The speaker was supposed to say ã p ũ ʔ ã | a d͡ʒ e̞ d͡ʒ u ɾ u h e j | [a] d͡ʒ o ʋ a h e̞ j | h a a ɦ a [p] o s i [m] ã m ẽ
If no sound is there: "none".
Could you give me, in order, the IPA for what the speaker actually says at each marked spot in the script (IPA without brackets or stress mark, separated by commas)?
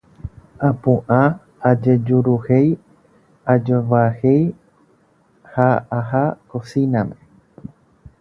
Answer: a, k, n